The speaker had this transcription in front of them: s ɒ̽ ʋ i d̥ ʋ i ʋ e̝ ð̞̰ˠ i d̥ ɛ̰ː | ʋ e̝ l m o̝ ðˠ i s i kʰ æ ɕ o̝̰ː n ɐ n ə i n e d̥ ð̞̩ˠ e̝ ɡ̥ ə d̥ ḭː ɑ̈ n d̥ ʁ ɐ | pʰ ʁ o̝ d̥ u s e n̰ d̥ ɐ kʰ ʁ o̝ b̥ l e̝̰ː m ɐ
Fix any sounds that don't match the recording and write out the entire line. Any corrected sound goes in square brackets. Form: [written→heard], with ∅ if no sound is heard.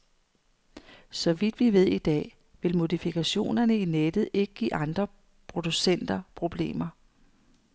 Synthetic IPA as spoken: s ɒ̽ ʋ i d̥ ʋ i ʋ e̝ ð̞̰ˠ i d̥ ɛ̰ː | ʋ e̝ l m o̝ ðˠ i [s→f] i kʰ æ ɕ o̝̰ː n ɐ n ə i n e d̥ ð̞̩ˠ e̝ ɡ̥ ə [d̥→ɡ̥] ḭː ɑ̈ n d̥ ʁ ɐ | pʰ ʁ o̝ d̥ u s e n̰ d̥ ɐ [kʰ→pʰ] ʁ o̝ b̥ l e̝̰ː m ɐ